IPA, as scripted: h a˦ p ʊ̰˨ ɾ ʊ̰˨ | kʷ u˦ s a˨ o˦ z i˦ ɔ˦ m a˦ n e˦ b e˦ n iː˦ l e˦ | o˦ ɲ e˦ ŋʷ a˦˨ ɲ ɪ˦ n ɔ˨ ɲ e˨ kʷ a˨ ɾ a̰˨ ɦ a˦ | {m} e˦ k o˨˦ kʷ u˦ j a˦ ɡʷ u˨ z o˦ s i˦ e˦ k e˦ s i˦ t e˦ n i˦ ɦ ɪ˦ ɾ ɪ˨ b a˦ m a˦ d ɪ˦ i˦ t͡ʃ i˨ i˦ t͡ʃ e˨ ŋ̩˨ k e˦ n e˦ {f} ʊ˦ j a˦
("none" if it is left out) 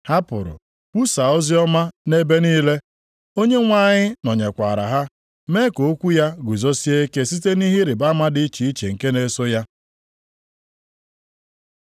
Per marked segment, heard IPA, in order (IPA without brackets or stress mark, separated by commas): m, s